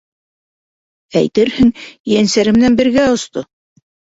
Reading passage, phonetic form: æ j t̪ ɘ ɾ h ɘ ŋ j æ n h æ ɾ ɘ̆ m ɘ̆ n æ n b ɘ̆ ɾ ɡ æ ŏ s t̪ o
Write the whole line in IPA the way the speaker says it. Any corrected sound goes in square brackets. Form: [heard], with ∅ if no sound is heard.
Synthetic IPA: æ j t̪ ɘ ɾ h ɘ ŋ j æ n [s] æ ɾ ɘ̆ m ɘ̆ n æ n b ɘ̆ ɾ ɡ æ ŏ s t̪ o